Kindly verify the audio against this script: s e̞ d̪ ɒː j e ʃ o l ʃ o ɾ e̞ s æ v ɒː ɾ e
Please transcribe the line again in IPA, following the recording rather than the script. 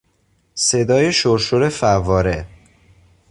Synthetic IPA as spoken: s e̞ d̪ ɒː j e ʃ o ɾ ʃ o ɾ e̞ f æ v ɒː ɾ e

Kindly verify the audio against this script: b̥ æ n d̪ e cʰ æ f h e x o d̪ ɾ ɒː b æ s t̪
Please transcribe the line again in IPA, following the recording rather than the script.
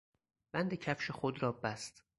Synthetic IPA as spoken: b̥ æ n d̪ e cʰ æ f ʃ e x o d̪ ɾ ɒː b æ s t̪

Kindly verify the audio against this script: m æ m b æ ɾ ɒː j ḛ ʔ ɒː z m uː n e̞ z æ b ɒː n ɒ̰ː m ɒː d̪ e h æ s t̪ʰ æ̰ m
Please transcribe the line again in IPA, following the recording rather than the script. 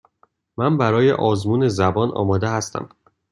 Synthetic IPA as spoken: m æ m b æ ɾ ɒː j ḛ ʔ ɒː z m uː n e̞ z æ b ɒː n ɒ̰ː m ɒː d̪ e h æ s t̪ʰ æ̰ m

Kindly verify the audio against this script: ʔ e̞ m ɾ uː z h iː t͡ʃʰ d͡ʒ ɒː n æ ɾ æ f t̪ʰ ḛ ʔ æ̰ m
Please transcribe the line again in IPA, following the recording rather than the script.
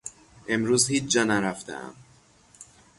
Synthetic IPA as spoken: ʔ e̞ m ɾ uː z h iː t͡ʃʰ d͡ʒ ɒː n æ ɾ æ f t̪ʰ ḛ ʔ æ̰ m

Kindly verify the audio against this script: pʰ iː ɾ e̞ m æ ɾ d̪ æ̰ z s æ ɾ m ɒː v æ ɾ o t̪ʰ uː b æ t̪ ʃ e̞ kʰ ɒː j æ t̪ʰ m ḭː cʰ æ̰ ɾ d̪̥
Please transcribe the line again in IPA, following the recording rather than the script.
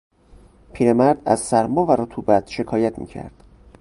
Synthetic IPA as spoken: pʰ iː ɾ e̞ m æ ɾ d̪ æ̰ z s æ ɾ m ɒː v æ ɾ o t̪ʰ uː b æ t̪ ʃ e̞ kʰ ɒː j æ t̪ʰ m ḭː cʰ æ̰ ɾ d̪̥

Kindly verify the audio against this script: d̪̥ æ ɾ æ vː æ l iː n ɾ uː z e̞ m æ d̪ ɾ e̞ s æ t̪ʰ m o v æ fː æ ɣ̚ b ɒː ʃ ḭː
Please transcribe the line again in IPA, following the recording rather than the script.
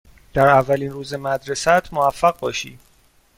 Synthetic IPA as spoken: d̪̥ æ ɾ æ vː æ l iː n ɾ uː z e̞ m æ d̪ ɾ e̞ s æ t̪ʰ m o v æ fː æ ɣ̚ b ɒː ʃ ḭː

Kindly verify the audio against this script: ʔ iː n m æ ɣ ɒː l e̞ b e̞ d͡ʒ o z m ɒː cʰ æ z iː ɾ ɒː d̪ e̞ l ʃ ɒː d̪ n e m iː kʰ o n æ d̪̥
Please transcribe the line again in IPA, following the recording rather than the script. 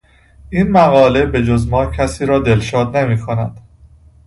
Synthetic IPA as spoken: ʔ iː n m æ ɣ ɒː l e̞ b e̞ d͡ʒ o z m ɒː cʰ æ s iː ɾ ɒː d̪ e̞ l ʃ ɒː d̪ n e m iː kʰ o n æ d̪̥

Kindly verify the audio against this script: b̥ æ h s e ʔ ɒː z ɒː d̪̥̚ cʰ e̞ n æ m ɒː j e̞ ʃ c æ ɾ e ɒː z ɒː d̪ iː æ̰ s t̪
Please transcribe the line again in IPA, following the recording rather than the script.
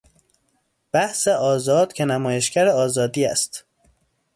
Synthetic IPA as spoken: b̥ æ h s e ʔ ɒː z ɒː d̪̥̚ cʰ e̞ n æ m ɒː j e̞ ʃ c æ ɾ e ɒː z ɒː d̪ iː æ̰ s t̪

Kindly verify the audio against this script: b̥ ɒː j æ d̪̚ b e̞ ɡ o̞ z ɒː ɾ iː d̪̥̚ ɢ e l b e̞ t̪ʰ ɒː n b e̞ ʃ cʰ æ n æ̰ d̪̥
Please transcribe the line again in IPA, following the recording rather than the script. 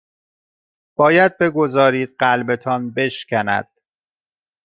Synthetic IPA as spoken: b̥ ɒː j æ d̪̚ b e̞ ɡ o̞ z ɒː ɾ iː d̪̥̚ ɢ æ l b e̞ t̪ʰ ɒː n b e̞ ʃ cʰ æ n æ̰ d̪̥

